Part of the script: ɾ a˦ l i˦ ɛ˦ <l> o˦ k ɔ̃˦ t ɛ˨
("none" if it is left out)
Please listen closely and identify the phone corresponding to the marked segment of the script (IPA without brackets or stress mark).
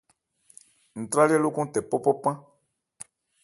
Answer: l